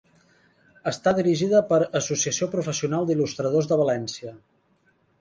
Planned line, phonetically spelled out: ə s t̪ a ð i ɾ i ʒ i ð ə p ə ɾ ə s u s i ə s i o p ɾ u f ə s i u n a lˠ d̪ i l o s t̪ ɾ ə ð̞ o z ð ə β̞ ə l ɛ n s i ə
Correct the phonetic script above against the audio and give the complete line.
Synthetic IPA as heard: ə s t̪ a ð i ɾ i ʒ i ð ə p ə ɾ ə s u s i ə s i o p ɾ u f ə s i u n a lˠ d̪ i l u s t̪ ɾ ə ð̞ o z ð ə β̞ ə l ɛ n s i ə